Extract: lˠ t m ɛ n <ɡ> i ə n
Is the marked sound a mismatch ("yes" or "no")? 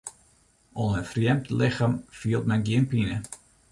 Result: no